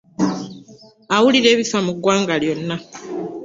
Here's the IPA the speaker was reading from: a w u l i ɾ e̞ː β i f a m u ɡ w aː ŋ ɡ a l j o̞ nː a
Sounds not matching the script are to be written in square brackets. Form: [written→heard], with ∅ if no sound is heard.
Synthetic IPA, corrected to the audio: a w u l i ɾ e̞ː β i f a m u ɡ w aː ŋ ɡ a l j o̞ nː a